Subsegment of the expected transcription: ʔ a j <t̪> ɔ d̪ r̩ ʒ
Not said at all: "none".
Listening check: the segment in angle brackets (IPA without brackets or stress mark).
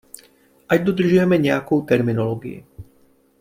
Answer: d̪